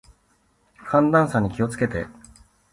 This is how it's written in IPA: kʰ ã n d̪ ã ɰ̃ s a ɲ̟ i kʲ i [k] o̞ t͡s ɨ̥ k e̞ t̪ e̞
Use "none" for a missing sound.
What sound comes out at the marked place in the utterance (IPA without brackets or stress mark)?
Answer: none